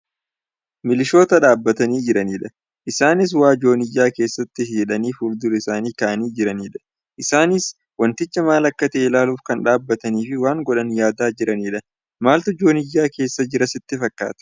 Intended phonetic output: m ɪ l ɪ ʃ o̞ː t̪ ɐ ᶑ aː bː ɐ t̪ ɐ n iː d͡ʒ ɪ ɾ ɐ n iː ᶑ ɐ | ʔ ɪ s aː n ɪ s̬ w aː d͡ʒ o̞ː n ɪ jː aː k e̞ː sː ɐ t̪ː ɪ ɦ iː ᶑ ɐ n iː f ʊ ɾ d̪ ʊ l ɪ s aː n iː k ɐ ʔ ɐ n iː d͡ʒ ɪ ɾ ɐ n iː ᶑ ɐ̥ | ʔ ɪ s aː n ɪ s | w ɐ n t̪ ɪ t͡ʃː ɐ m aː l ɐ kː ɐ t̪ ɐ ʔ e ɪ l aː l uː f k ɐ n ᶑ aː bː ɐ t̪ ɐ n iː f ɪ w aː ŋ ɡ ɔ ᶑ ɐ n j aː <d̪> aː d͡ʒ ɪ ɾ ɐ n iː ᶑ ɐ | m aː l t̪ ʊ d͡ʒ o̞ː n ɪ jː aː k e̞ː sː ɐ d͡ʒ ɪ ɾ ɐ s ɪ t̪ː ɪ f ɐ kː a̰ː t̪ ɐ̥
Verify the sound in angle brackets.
correct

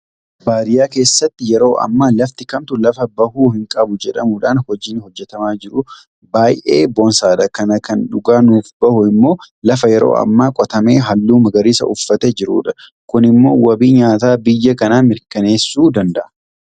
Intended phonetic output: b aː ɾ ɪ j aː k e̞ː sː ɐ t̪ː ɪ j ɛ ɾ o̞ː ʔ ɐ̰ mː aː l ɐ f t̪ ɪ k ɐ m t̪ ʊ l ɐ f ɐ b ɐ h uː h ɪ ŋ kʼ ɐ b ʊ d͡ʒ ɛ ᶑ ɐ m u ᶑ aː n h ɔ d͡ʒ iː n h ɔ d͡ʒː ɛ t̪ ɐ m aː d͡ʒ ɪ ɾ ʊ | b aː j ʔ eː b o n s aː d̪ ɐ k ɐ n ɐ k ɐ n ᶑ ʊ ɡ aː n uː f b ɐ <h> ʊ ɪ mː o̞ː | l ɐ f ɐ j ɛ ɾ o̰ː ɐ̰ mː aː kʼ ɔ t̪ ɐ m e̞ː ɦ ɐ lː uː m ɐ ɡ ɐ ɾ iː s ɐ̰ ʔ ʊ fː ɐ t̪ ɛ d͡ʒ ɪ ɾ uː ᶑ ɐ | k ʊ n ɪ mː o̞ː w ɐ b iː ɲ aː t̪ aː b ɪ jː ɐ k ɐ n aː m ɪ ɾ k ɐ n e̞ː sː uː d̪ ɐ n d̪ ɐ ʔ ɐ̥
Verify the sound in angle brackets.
correct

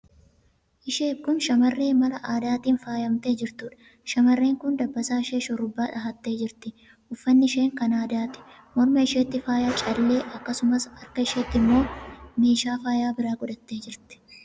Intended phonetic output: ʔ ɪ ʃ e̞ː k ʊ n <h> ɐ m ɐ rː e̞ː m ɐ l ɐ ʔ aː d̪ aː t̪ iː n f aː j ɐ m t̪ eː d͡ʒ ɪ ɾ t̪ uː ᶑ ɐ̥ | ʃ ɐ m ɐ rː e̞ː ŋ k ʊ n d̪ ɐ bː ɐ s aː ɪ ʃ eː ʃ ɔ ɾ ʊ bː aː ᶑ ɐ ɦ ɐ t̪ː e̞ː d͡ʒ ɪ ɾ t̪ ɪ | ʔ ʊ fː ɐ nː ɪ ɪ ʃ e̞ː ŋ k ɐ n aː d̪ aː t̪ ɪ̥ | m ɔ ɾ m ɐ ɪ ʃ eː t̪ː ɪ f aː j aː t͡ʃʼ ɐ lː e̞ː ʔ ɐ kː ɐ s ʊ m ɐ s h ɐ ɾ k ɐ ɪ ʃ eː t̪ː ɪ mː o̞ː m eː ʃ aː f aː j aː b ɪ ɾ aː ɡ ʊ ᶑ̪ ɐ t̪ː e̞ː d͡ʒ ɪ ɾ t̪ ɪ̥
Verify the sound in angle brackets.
incorrect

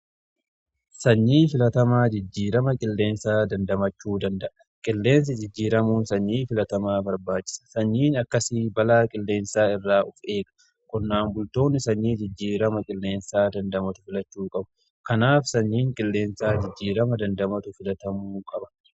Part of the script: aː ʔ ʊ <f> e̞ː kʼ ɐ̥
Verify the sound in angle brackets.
correct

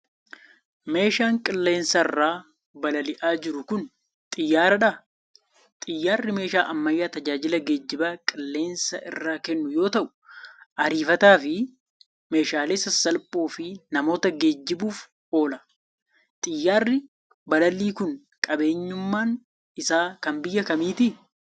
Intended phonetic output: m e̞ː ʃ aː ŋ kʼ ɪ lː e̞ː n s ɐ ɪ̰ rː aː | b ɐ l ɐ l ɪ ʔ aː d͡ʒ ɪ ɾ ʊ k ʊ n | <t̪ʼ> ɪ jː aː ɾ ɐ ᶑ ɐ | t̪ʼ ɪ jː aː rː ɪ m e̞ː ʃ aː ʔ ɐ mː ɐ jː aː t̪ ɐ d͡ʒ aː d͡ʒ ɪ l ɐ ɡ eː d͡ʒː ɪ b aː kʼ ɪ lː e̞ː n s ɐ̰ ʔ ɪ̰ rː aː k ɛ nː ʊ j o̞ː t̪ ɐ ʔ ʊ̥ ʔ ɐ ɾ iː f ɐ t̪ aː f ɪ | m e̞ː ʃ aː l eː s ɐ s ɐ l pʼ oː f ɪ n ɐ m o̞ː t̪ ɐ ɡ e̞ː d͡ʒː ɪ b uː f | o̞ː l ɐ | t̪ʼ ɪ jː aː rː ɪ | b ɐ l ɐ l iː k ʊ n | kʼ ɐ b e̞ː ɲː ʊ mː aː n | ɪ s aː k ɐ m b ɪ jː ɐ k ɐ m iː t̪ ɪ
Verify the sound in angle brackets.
correct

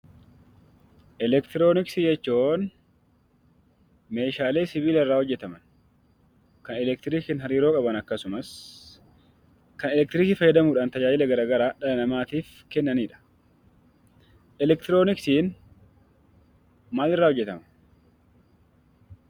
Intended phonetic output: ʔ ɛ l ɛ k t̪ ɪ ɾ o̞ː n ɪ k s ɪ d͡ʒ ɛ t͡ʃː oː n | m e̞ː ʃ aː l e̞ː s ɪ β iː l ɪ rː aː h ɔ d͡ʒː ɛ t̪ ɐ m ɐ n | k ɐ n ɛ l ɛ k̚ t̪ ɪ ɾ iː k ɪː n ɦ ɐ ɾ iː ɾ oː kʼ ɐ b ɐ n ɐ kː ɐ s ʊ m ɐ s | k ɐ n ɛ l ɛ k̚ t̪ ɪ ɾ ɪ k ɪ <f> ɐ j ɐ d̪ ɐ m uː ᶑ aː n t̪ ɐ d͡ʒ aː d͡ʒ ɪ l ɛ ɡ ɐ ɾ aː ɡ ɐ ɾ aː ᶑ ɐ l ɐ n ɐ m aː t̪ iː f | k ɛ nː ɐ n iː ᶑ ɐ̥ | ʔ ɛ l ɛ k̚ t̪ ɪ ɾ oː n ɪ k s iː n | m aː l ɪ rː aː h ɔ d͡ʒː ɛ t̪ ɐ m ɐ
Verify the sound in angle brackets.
correct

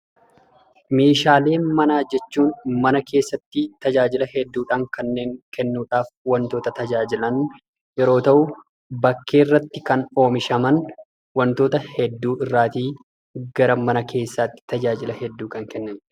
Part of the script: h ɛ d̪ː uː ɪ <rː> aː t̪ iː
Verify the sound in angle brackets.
correct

